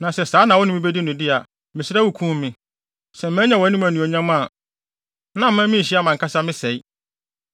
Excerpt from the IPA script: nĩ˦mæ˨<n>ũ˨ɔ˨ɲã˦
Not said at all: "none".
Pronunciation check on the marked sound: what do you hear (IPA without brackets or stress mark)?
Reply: n